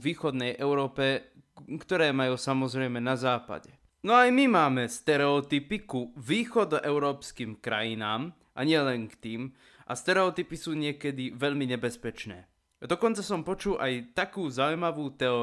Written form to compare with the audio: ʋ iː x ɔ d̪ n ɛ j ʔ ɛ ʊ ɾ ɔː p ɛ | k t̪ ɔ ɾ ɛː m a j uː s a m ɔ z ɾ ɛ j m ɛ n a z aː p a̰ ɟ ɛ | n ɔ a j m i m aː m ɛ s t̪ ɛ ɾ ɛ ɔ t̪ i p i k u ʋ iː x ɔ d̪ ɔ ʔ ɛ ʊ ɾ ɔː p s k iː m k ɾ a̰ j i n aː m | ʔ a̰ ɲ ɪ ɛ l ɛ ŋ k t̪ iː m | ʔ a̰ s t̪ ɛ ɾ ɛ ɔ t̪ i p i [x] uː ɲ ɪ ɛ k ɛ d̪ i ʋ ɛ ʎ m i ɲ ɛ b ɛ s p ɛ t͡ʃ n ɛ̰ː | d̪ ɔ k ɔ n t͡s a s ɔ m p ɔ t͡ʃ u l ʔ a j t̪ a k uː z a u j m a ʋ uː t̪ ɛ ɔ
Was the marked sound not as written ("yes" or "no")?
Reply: yes